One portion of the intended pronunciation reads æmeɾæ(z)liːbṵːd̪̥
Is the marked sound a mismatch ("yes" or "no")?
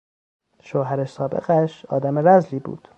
no